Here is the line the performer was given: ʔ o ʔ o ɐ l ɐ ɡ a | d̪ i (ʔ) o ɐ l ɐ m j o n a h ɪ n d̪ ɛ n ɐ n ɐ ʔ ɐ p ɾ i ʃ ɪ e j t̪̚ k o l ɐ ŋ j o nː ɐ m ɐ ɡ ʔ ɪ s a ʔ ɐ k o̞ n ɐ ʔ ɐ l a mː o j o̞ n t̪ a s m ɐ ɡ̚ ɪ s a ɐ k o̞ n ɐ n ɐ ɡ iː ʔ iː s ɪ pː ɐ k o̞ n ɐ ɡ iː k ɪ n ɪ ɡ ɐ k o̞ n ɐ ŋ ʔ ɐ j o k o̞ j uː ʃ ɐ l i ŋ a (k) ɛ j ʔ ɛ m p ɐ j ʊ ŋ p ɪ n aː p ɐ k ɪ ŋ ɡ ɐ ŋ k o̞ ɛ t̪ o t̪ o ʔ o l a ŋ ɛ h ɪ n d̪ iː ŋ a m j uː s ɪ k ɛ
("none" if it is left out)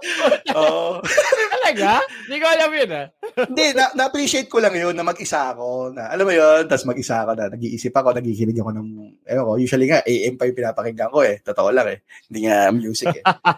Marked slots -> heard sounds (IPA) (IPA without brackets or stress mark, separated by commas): k, ʔ